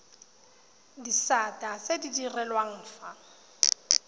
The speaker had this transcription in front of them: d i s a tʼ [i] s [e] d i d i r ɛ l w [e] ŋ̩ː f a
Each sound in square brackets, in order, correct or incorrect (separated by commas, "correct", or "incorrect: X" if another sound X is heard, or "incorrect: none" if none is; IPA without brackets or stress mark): incorrect: a, correct, incorrect: a